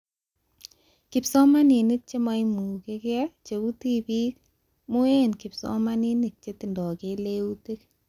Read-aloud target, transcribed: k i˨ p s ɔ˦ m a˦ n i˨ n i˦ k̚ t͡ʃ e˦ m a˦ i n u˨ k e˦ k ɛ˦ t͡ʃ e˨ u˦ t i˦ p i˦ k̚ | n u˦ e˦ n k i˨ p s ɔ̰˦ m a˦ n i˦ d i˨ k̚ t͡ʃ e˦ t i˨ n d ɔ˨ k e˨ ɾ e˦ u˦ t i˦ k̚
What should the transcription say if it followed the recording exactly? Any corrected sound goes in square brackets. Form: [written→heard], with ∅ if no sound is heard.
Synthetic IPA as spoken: k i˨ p s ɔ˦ m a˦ n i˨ n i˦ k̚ t͡ʃ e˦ m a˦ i [n→m] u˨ k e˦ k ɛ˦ t͡ʃ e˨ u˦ t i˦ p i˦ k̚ | [n→m] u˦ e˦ n k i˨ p s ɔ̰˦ m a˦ n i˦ [d→n] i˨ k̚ t͡ʃ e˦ t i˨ n d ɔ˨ k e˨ [ɾ→l] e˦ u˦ t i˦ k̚